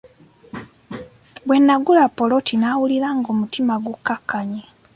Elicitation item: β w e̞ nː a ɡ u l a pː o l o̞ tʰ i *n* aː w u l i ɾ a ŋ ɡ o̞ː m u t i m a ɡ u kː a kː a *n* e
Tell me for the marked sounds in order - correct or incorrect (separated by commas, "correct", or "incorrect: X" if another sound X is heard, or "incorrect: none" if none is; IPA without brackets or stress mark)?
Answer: correct, incorrect: ɲ